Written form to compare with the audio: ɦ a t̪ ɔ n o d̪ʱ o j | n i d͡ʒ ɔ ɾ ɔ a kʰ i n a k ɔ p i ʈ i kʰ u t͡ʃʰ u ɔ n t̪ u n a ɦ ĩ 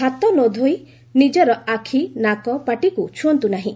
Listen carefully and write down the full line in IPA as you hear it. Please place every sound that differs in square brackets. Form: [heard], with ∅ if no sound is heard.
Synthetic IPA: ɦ a t̪ ɔ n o d̪ʱ o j | n i d͡ʒ ɔ ɾ ɔ a kʰ i n a k ɔ p [a] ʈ i [k] u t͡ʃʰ u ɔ n t̪ u n a ɦ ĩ

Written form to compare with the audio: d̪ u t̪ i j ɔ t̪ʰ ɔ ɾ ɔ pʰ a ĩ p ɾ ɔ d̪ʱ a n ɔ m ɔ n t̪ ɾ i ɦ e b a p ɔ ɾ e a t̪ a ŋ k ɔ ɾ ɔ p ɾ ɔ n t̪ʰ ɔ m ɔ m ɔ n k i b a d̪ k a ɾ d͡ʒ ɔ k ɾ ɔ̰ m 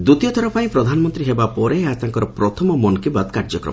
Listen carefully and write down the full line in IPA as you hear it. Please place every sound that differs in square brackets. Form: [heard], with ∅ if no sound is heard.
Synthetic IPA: d̪ u t̪ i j ɔ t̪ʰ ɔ ɾ ɔ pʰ a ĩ p ɾ ɔ d̪ʱ a n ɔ m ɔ n t̪ ɾ i ɦ e b a p ɔ ɾ e a t̪ a ŋ k ɔ ɾ ɔ p ɾ ɔ [∅] t̪ʰ ɔ m ɔ m ɔ n k i b a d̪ k a ɾ d͡ʒ ɔ k ɾ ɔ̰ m

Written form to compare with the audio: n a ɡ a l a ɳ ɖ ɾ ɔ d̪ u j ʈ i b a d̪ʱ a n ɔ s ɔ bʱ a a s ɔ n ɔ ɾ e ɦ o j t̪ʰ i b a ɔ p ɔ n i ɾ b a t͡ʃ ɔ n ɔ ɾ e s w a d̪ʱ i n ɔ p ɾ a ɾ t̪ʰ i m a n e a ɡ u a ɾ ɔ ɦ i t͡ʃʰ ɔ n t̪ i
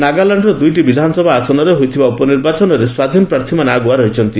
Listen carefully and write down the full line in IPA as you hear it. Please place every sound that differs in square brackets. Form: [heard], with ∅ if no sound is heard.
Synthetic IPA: n a ɡ a l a ɳ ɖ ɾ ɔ d̪ u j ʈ i b [i] d̪ʱ a n ɔ s ɔ bʱ a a s ɔ n ɔ ɾ e ɦ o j t̪ʰ i b a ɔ p ɔ n i ɾ b a t͡ʃ ɔ n ɔ ɾ e s w a d̪ʱ i n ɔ p ɾ a ɾ t̪ʰ i m a n e a ɡ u a ɾ ɔ ɦ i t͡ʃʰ ɔ n t̪ i

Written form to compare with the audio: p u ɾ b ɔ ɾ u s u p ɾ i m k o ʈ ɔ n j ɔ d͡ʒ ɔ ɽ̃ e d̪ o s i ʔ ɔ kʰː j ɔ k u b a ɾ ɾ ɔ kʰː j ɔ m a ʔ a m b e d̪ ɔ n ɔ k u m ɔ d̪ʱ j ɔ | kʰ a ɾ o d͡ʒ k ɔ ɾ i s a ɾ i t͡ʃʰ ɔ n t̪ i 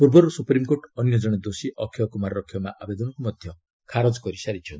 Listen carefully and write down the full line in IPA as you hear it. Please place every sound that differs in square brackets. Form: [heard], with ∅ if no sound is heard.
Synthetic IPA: p u ɾ b ɔ ɾ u s u p ɾ i m k o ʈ ɔ n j ɔ d͡ʒ ɔ ɽ̃ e d̪ o s i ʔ ɔ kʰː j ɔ k u [m] a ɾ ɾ ɔ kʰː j ɔ m a ʔ a [∅] b e d̪ ɔ n ɔ k u m ɔ d̪ʱ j ɔ | kʰ a ɾ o d͡ʒ k ɔ ɾ i s a ɾ i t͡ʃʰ ɔ n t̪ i

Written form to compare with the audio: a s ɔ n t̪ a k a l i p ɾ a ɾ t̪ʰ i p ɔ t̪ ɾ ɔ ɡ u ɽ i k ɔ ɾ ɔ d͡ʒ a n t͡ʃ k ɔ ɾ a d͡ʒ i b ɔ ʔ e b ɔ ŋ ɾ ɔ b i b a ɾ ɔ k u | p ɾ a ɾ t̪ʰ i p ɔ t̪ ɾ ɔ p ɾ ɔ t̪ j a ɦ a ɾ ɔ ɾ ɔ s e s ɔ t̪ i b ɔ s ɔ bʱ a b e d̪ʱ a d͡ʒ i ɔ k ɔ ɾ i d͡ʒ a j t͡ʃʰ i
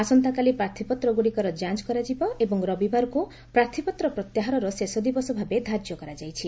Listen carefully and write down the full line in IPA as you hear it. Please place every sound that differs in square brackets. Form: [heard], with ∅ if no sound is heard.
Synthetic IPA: a s ɔ n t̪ a k a l i p ɾ a ɾ t̪ʰ i p ɔ t̪ ɾ ɔ ɡ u ɽ i k ɔ ɾ ɔ d͡ʒ a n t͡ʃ k ɔ ɾ a d͡ʒ i b ɔ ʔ e b ɔ ŋ ɾ ɔ b i b a ɾ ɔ k u | p ɾ a ɾ t̪ʰ i p ɔ t̪ ɾ ɔ p ɾ ɔ t̪ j a ɦ a ɾ ɔ ɾ ɔ s e s ɔ [d̪] i b ɔ s ɔ bʱ a b e d̪ʱ a d͡ʒ [j] ɔ k ɔ ɾ [a] d͡ʒ a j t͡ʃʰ i

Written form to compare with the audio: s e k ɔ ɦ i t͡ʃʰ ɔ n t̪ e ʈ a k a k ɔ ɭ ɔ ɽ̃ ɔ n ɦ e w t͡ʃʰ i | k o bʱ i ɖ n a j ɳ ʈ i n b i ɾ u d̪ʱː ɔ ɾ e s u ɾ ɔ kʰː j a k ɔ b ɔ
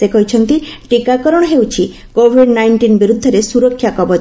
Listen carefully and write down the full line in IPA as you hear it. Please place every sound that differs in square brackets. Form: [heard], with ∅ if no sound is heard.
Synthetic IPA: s e k ɔ ɦ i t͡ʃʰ ɔ n t̪ [i] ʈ [i] k a k ɔ [ɾ] ɔ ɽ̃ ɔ [∅] ɦ e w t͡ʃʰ i | k o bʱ i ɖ n a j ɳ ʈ i n b i ɾ u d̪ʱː ɔ ɾ e s u ɾ ɔ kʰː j a k ɔ b ɔ

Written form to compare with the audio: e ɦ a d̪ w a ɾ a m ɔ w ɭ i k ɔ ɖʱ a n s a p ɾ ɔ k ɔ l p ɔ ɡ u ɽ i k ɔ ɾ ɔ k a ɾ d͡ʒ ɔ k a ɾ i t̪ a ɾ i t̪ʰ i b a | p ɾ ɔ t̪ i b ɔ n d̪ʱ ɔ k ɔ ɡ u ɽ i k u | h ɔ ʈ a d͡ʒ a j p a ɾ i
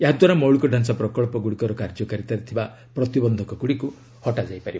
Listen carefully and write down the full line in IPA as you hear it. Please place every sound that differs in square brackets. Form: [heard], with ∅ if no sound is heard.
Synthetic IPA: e ɦ a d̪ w a ɾ a m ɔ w ɭ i k ɔ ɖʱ a n s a p ɾ ɔ k ɔ [ɭ] p ɔ ɡ u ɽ i k ɔ ɾ ɔ k a ɾ d͡ʒ ɔ k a ɾ i t̪ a ɾ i t̪ʰ i b a | p ɾ ɔ t̪ i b ɔ n d̪ʱ ɔ k ɔ ɡ u ɽ i k u | h ɔ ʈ a d͡ʒ a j p a ɾ i

